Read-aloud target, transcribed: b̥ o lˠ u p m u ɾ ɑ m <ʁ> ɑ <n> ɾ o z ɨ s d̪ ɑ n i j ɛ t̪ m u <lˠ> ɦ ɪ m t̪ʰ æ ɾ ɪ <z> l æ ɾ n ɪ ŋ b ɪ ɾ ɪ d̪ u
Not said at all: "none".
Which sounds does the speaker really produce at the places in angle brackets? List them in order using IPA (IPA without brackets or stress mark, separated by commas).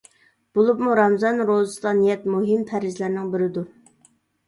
z, n, none, z